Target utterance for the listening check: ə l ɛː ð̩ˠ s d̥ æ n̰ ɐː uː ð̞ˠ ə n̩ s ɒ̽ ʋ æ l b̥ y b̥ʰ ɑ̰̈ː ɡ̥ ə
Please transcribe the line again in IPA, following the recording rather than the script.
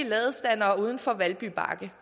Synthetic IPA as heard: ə l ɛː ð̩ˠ s d̥ æ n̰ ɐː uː ð̞ˠ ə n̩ f ɒ̽ ʋ æ l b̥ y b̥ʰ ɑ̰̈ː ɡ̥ ə